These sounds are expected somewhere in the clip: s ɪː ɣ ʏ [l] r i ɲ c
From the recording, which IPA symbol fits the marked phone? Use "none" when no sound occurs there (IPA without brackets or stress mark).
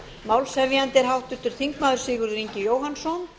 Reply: ɾ